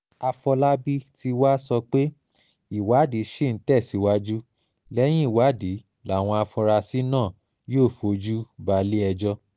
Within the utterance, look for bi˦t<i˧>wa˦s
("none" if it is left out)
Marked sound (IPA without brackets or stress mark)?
i˧